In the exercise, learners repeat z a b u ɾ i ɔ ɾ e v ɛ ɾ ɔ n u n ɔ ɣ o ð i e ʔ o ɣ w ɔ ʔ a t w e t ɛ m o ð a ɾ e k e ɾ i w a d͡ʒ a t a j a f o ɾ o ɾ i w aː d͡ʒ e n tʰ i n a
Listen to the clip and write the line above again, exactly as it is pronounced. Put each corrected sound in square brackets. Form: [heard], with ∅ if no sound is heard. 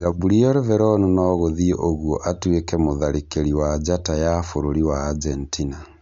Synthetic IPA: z a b u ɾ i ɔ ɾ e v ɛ ɾ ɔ n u n ɔ ɣ o ð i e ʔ o ɣ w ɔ ʔ a t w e [k] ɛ m o ð a ɾ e k e ɾ i w a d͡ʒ a t a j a f o ɾ o ɾ i w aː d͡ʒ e n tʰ i n a